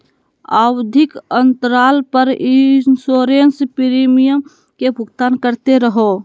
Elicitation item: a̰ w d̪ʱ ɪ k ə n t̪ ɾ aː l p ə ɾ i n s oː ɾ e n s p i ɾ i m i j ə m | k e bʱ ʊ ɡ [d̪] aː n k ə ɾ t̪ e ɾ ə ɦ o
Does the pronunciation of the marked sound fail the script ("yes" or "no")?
yes